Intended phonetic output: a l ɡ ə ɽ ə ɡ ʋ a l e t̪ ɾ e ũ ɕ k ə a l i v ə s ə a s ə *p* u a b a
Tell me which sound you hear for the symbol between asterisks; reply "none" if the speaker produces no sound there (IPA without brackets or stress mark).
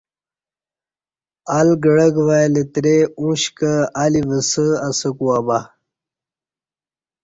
k